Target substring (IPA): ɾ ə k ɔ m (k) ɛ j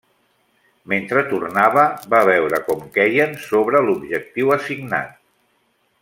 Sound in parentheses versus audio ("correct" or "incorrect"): correct